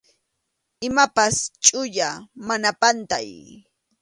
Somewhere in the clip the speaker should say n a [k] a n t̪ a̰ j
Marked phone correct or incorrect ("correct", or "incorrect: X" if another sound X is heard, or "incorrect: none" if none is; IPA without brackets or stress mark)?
incorrect: p